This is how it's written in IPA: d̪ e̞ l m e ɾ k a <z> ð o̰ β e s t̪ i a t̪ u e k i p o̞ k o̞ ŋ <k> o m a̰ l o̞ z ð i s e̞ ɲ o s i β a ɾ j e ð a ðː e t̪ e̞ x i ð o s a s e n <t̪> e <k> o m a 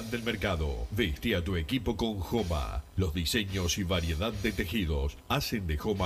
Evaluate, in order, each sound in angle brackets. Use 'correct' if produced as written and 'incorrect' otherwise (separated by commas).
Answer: incorrect, incorrect, incorrect, incorrect